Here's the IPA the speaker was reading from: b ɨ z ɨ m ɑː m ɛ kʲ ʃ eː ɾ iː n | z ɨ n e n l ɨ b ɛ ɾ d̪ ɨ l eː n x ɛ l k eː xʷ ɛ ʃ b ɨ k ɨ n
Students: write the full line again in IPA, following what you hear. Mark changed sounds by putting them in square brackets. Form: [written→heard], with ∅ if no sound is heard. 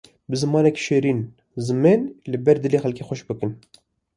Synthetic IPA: b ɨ z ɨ m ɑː [m→n] ɛ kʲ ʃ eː ɾ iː n | z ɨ [n→m] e n l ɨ b ɛ ɾ d̪ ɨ l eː [n→∅] x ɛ l k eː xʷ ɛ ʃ b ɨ k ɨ n